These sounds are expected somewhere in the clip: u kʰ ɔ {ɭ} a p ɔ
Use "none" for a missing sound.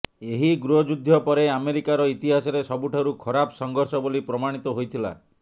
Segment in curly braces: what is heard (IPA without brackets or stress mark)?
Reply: ɾ